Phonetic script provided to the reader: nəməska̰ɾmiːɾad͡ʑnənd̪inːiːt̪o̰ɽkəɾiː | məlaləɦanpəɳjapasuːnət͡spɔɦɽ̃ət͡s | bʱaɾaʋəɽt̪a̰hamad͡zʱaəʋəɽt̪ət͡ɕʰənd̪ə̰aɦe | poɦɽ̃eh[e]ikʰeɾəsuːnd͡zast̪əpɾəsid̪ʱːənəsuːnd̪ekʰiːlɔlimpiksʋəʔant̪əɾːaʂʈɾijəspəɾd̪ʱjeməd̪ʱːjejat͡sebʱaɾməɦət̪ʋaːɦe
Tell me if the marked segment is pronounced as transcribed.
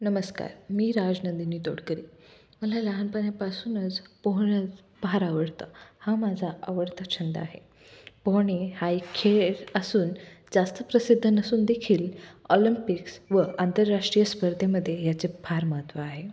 no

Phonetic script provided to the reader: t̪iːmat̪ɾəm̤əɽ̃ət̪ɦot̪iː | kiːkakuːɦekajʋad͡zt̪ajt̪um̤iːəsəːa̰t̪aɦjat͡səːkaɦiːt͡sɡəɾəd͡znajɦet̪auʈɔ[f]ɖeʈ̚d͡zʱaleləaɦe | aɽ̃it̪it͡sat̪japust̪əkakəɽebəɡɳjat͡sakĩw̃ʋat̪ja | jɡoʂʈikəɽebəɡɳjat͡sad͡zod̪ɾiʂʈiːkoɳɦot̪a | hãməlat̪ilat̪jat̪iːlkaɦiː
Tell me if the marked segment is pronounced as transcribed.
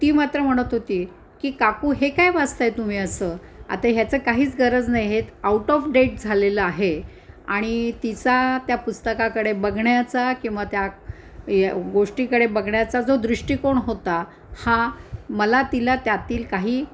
yes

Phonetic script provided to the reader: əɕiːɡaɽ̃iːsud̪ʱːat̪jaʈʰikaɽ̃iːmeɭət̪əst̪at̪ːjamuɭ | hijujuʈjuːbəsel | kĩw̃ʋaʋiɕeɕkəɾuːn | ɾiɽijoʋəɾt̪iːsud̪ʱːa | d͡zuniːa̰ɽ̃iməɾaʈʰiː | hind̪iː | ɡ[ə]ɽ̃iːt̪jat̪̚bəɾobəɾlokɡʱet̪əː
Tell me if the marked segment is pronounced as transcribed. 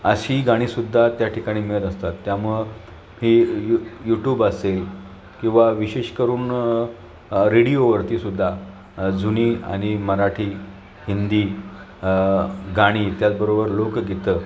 no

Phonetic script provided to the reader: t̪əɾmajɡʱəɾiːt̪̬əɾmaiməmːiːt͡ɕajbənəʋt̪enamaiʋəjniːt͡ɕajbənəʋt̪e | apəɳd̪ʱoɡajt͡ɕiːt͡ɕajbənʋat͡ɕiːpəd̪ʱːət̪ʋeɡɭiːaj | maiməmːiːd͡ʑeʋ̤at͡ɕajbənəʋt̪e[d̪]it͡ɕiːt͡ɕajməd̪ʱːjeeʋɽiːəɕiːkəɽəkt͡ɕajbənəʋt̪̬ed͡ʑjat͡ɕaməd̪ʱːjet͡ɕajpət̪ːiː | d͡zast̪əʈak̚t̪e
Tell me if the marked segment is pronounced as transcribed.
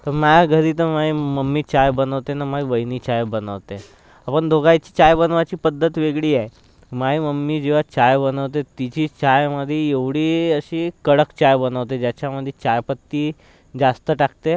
no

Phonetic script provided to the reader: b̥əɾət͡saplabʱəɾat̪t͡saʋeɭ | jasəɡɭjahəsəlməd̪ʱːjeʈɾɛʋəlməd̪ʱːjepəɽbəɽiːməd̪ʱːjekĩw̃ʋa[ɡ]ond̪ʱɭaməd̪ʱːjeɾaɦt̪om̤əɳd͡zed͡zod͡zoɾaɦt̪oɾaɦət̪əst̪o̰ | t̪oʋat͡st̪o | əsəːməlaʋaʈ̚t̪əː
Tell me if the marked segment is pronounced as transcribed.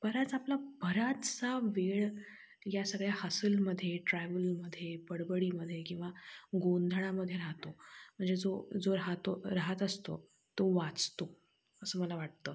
yes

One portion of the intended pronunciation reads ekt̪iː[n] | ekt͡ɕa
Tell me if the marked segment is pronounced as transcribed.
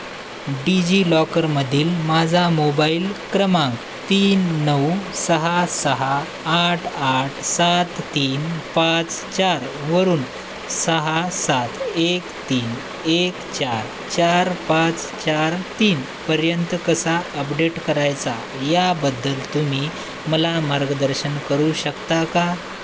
yes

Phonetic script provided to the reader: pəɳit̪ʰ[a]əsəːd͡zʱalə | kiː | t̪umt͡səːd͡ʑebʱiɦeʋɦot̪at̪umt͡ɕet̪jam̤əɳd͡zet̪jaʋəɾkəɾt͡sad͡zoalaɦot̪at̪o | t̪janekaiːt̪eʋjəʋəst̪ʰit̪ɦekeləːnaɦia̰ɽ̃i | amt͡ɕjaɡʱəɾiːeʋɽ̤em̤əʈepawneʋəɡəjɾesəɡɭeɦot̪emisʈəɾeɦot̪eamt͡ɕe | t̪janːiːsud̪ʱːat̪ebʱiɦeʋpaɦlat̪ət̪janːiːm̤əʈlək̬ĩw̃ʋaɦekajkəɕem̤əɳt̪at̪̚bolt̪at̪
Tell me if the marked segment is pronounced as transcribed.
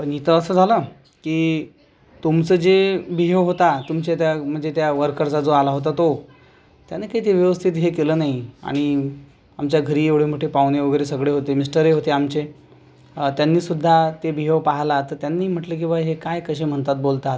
no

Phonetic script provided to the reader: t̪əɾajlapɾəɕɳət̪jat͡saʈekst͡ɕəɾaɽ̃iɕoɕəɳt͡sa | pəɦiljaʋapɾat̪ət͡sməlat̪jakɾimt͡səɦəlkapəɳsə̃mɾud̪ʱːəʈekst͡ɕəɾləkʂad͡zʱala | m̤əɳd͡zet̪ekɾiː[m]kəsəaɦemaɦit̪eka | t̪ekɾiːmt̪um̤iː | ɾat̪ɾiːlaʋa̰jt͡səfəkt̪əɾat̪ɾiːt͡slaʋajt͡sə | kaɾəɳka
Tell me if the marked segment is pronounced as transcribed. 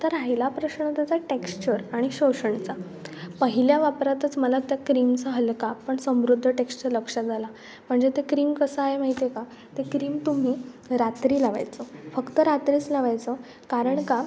yes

